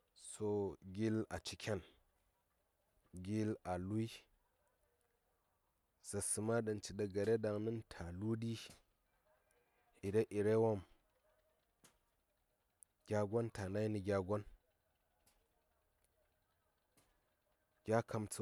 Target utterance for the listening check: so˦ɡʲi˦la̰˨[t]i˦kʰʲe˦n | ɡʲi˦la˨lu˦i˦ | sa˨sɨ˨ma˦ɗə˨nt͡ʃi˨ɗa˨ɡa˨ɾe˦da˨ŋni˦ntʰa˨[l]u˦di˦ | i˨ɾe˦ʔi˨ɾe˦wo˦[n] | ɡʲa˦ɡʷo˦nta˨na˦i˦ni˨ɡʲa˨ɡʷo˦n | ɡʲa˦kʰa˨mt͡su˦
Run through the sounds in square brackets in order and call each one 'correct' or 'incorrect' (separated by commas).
incorrect, correct, incorrect